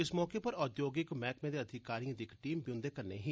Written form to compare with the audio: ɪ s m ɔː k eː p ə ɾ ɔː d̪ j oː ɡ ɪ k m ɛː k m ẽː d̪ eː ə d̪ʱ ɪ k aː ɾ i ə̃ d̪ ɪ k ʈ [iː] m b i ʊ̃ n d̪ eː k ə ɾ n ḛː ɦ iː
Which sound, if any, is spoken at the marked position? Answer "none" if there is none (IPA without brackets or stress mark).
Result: iː